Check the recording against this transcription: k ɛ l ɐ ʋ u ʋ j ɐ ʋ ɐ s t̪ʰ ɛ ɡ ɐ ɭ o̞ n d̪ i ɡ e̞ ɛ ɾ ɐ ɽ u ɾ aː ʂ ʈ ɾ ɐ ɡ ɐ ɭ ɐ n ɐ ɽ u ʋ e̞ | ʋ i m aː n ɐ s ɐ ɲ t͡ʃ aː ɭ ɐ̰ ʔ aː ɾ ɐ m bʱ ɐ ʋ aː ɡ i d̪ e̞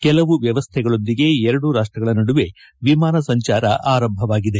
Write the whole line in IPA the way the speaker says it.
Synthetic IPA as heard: k ɛ l ɐ ʋ u ʋ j ɐ ʋ ɐ s t̪ʰ ɛ ɡ ɐ ɭ o̞ n d̪ i ɡ e̞ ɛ ɾ ɐ ɽ u ɾ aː ʂ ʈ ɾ ɐ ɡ ɐ ɭ ɐ n ɐ ɽ u ʋ e̞ | ʋ i m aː n ɐ s ɐ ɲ t͡ʃ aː ɾ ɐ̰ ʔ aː ɾ ɐ m bʱ ɐ ʋ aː ɡ i d̪ e̞

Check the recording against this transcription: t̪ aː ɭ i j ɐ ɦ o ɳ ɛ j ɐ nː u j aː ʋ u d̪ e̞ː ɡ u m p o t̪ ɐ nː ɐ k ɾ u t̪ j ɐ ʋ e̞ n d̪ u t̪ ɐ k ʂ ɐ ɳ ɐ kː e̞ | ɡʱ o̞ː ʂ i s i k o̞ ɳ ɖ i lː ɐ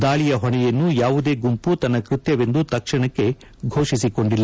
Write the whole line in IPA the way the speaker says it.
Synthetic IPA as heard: d̪ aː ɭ i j ɐ ɦ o ɳ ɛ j ɐ nː u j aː ʋ u d̪ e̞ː ɡ u m p u t̪ ɐ nː ɐ k ɾ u t̪ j ɐ ʋ e̞ n d̪ u t̪ ɐ k ʂ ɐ ɳ ɐ kː e̞ | ɡʱ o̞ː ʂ i s i k o̞ ɳ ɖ i lː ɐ

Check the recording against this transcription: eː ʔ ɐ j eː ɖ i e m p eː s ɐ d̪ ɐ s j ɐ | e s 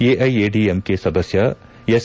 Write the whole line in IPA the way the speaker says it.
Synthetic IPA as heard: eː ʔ ɐ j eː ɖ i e m k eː s ɐ d̪ ɐ s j ɐ | e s

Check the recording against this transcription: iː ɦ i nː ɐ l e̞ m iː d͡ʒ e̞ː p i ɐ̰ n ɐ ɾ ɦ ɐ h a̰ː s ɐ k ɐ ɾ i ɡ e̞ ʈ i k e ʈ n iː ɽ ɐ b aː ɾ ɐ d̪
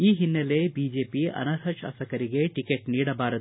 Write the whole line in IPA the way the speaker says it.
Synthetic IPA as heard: iː ɦ i nː ɐ l e̞ b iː d͡ʒ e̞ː p i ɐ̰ n ɐ ɾ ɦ ɐ ʃ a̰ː s ɐ k ɐ ɾ i ɡ e̞ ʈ i k e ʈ n iː ɽ ɐ b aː ɾ ɐ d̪

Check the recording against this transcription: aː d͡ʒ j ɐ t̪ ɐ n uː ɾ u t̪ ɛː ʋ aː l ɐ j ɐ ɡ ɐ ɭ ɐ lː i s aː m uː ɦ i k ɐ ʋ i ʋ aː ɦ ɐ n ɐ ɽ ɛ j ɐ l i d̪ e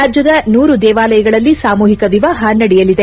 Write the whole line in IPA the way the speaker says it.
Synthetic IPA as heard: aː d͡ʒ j ɐ d̪ ɐ n uː ɾ u d̪ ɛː ʋ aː l ɐ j ɐ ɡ ɐ ɭ ɐ lː i s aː m uː ɦ i k ɐ ʋ i ʋ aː ɦ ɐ n ɐ ɽ ɛ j ɐ l i d̪ e

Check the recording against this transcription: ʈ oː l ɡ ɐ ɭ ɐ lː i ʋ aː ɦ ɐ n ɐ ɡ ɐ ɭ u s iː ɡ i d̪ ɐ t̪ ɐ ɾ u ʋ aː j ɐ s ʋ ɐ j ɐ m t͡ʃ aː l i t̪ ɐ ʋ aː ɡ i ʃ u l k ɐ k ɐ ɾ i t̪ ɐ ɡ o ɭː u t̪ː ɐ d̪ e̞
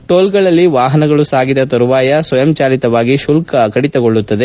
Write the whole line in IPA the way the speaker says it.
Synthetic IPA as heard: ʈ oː l ɡ ɐ ɭ ɐ lː i ʋ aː ɦ ɐ n ɐ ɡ ɐ ɭ u s aː ɡ i d̪ ɐ t̪ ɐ ɾ u ʋ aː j ɐ s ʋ ɐ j ɐ m t͡ʃ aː l i t̪ ɐ ʋ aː ɡ i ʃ u l k ɐ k ɐ ɽ i t̪ ɐ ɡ o ɭː u t̪ː ɐ d̪ e̞

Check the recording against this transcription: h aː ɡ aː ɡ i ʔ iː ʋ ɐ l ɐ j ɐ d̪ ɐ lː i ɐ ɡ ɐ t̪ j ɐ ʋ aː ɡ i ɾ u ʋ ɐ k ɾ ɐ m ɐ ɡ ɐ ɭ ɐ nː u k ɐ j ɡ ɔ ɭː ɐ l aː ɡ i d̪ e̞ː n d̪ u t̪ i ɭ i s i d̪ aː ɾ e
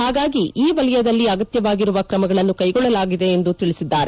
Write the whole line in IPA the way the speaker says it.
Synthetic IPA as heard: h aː ɡ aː ɡ i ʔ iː ʋ ɐ l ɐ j ɐ d̪ ɐ lː i ɐ ɡ ɐ t̪ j ɐ ʋ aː ɡ i ɾ u ʋ ɐ k ɾ ɐ m ɐ ɡ ɐ ɭ ɐ nː u k ɐ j ɡ ɔ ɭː ɐ l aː ɡ i d̪ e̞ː n d̪ u t̪ i ɭ i s i d̪ː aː ɾ e

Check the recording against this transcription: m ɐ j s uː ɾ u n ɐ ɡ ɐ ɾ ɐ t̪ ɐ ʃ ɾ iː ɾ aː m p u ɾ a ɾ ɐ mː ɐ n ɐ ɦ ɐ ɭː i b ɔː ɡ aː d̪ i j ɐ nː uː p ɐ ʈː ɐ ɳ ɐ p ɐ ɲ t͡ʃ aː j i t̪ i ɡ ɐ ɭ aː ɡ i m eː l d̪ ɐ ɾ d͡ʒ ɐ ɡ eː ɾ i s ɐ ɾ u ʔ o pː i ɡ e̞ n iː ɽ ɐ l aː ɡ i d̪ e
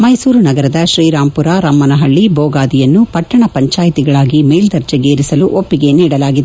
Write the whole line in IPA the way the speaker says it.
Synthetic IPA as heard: m ɐ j s uː ɾ u n ɐ ɡ ɐ ɾ ɐ d̪ ɐ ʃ ɾ iː ɾ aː m p u ɾ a ɾ ɐ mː ɐ n ɐ ɦ ɐ ɭː i b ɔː ɡ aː d̪ i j ɐ nː u p ɐ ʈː ɐ ɳ ɐ p ɐ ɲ t͡ʃ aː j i t̪ i ɡ ɐ ɭ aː ɡ i m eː l d̪ ɐ ɾ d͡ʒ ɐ ɡ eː ɾ i s ɐ l u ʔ o pː i ɡ e̞ n iː ɽ ɐ l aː ɡ i d̪ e

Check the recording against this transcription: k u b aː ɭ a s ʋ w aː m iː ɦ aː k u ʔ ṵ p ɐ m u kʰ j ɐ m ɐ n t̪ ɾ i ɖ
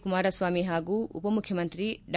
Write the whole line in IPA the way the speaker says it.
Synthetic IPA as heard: k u m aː ɾ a s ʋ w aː m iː ɦ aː ɡ u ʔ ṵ p ɐ m u kʰ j ɐ m ɐ n t̪ ɾ i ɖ

